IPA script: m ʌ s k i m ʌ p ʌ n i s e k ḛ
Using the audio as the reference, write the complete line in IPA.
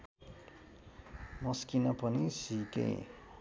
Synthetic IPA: m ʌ s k i n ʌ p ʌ n i s i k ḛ